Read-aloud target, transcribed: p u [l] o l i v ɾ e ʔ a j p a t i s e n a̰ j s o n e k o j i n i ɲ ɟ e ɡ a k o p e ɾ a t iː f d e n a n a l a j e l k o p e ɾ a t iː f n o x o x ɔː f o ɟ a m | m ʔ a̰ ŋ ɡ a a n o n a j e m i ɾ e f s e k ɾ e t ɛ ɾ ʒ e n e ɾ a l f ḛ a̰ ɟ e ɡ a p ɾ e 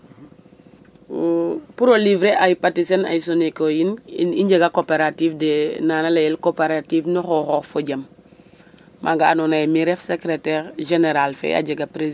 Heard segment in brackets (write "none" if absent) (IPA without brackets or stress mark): ɾ